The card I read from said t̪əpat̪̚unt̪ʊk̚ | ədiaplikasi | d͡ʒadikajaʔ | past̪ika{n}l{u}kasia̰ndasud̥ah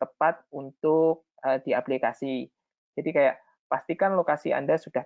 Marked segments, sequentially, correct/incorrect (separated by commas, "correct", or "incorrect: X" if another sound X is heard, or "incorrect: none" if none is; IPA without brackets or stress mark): correct, incorrect: o